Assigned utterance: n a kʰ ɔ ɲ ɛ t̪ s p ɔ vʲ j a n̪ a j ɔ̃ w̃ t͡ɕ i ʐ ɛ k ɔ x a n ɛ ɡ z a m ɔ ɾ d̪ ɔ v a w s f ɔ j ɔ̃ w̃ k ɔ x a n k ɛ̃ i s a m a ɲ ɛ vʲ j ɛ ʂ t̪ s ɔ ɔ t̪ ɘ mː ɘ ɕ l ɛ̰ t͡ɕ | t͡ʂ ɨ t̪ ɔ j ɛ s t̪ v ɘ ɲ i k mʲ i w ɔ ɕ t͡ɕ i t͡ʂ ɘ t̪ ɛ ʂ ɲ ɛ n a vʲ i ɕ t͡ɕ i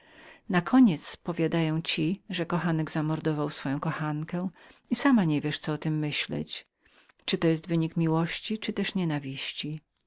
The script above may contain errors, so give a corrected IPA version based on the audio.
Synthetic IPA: n a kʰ ɔ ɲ ɛ t̪ s p ɔ vʲ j a d̪ a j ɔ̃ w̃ t͡ɕ i ʐ ɛ k ɔ x a n ɛ ɡ z a m ɔ ɾ d̪ ɔ v a w s f ɔ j ɔ̃ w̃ k ɔ x a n k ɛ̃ i s a m a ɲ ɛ vʲ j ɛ ʂ t̪ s ɔ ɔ t̪ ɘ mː ɘ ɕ l ɛ̰ t͡ɕ | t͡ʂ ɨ t̪ ɔ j ɛ s t̪ v ɘ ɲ i k mʲ i w ɔ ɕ t͡ɕ i t͡ʂ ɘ t̪ ɛ ʂ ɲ ɛ n a vʲ i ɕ t͡ɕ i